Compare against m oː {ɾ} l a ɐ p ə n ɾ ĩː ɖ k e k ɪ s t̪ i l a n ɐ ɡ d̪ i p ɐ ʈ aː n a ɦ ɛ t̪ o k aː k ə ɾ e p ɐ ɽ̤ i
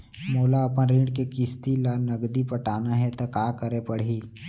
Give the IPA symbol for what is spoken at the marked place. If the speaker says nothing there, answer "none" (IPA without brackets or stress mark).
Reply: none